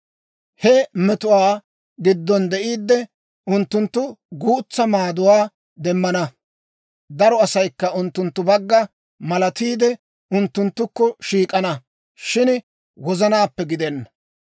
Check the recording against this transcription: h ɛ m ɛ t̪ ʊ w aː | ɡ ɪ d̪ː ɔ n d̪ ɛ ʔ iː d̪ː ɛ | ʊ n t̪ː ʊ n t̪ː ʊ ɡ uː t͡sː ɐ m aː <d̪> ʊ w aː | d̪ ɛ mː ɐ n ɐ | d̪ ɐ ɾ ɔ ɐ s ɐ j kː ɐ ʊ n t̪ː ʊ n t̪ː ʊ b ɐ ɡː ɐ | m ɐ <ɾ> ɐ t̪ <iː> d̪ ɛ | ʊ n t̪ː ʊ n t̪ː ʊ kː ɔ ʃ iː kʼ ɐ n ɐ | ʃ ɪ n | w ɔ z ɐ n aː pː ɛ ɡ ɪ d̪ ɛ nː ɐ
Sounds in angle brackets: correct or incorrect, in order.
correct, incorrect: l, correct

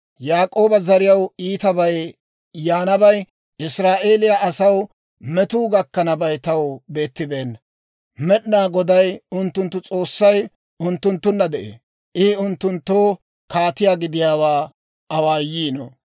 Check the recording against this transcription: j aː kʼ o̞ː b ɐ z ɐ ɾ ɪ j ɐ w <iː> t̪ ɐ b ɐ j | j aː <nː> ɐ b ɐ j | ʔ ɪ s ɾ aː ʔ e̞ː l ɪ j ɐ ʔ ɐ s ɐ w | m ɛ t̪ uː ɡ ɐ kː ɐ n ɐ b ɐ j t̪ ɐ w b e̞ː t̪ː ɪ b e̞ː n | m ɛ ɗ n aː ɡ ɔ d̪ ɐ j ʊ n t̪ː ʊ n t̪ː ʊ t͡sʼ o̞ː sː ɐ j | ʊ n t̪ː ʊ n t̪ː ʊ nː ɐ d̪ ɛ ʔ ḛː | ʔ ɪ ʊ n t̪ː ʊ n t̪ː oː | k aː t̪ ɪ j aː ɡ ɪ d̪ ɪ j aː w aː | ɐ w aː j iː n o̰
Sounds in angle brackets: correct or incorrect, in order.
correct, incorrect: n

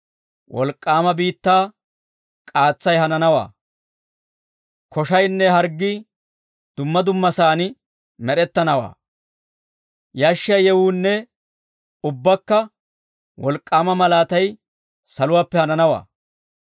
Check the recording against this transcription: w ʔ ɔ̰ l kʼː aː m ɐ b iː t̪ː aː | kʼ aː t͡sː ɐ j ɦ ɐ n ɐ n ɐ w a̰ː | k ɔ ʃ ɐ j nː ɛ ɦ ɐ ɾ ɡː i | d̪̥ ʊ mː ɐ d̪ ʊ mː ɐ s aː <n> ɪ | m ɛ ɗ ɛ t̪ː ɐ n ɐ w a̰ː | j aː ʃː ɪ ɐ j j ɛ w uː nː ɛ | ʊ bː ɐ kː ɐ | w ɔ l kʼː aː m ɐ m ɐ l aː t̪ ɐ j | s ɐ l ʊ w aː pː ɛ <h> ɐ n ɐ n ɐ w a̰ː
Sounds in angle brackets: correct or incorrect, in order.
correct, correct

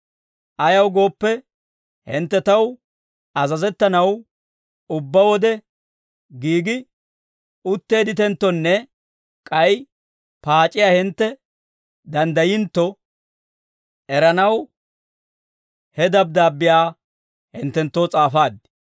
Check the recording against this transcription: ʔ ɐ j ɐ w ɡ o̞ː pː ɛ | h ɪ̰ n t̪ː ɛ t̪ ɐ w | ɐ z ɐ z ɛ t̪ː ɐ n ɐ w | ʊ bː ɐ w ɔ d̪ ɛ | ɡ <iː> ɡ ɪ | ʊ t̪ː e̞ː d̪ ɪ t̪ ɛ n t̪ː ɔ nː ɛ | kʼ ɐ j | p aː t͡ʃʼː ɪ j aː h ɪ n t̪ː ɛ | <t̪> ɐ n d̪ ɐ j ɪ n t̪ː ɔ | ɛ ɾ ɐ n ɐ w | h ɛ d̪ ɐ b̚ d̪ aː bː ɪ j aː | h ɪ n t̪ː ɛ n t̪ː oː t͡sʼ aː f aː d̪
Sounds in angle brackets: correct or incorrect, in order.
correct, incorrect: d̪

